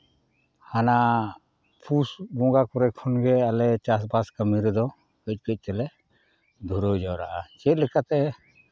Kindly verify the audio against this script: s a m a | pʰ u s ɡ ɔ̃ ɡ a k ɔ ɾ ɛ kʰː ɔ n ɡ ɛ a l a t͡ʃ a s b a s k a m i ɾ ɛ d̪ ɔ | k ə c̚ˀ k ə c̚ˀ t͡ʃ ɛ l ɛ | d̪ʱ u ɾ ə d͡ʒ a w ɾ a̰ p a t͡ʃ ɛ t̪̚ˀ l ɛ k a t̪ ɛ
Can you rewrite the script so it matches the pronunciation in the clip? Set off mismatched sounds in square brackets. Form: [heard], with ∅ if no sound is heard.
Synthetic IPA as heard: [h] a [n] a | pʰ u s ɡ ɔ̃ ɡ a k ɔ ɾ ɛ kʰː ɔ n ɡ ɛ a l [ɛ] t͡ʃ a s b a s k a m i ɾ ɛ d̪ ɔ | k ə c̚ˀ k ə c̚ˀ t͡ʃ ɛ l ɛ | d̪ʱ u ɾ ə d͡ʒ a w ɾ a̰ [ʔ] a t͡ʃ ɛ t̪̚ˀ l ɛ k a t̪ ɛ